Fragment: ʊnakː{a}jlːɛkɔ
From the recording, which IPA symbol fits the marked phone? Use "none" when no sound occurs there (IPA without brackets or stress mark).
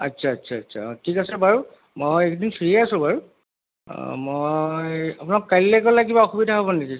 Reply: a